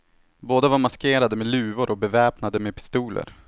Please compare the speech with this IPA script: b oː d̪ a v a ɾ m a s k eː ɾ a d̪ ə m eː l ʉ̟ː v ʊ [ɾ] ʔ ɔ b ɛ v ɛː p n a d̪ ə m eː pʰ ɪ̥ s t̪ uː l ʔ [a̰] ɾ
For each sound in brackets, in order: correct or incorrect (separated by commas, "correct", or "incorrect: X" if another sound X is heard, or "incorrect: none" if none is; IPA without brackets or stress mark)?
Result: correct, incorrect: ə̰